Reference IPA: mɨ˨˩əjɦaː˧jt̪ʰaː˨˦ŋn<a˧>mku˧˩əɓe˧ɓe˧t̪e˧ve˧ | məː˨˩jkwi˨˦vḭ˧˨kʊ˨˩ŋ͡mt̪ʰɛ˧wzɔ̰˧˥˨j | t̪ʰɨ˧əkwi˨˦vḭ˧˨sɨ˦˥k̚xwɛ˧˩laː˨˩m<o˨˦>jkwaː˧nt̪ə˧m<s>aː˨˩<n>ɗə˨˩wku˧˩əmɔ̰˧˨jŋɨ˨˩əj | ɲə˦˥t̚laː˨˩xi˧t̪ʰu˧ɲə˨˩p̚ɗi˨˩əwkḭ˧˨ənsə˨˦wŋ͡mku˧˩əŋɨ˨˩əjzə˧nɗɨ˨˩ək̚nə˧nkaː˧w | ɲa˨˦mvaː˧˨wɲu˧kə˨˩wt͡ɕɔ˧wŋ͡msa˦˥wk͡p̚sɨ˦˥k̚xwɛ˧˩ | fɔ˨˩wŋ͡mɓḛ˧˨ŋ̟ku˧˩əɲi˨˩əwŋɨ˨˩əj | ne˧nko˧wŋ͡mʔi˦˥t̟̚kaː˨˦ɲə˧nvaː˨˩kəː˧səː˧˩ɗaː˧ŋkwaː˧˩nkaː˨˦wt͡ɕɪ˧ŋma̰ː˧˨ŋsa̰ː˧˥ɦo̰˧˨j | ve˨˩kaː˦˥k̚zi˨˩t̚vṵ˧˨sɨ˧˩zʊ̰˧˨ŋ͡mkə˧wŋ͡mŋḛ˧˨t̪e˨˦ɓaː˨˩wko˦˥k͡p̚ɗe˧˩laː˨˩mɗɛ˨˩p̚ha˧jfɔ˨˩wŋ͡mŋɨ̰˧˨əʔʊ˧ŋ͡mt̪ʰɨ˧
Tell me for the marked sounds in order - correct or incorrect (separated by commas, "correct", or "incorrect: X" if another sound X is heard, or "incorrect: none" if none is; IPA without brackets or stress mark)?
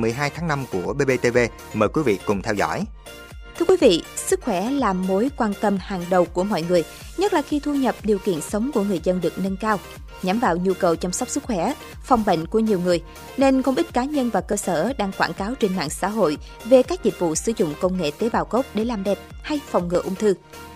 correct, correct, incorrect: h, incorrect: ŋ